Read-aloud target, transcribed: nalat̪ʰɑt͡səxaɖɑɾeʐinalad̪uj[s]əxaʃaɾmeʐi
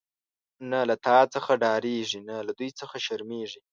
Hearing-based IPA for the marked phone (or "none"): t͡s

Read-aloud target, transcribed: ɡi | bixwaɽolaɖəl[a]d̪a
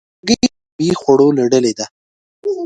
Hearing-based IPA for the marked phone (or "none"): e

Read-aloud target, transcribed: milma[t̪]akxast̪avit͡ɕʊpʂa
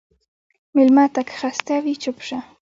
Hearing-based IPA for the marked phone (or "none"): t̪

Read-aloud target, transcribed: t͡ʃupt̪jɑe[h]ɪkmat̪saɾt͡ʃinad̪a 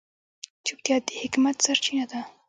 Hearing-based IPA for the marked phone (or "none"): h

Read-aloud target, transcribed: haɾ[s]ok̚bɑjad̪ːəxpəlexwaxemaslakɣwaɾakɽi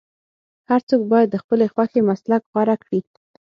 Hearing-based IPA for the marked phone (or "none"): t͡s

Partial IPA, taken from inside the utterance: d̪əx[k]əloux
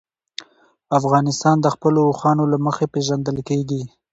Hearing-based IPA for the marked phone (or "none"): p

